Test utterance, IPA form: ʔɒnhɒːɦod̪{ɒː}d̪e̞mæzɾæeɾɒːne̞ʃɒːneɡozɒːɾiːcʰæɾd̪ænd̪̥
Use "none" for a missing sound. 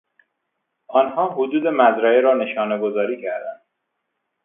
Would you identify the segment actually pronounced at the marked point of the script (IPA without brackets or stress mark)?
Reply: uː